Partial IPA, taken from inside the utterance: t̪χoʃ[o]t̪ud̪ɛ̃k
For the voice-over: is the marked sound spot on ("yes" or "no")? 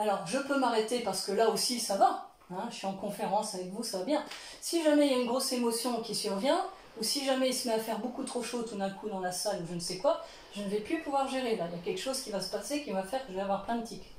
yes